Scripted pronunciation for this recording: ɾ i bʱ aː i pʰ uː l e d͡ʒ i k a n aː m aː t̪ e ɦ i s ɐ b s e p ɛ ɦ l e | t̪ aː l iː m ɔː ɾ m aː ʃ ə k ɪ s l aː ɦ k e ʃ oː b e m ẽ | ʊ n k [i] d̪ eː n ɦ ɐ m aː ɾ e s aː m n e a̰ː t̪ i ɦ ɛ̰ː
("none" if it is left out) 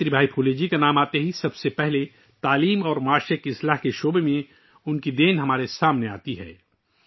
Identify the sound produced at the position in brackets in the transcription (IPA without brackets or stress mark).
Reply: i